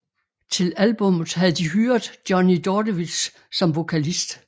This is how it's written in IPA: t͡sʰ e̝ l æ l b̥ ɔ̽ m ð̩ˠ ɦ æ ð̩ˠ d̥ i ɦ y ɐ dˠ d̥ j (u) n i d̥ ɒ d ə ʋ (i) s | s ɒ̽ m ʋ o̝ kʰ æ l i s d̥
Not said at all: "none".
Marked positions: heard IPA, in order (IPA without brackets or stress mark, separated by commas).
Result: ɒ, i